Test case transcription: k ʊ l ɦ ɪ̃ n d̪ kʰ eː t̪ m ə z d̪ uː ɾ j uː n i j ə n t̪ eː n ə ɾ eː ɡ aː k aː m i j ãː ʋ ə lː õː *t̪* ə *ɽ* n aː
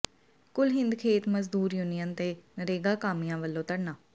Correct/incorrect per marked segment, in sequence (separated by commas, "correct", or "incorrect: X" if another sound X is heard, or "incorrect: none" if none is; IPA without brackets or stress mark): correct, correct